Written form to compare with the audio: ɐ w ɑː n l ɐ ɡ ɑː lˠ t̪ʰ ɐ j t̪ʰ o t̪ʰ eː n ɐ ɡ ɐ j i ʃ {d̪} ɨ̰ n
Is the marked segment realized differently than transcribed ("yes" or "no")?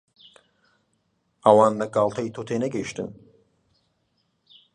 yes